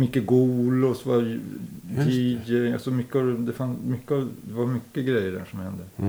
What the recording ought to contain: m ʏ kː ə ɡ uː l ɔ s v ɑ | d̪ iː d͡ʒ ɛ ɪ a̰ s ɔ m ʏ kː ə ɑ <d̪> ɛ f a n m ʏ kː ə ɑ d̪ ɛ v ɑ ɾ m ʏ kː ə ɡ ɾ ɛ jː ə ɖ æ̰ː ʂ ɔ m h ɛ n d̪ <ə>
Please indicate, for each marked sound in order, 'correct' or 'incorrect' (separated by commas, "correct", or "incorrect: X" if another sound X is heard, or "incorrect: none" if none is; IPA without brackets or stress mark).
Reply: correct, correct